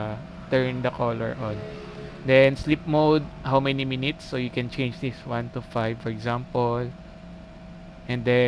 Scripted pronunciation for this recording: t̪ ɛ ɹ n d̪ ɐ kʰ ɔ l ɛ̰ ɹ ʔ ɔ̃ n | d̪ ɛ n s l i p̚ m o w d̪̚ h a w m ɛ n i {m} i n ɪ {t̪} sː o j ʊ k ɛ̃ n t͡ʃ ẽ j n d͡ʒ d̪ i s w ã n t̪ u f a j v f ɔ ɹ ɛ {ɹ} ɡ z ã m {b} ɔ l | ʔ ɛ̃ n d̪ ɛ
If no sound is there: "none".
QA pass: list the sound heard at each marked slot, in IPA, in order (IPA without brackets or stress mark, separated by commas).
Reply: m, t̪, none, p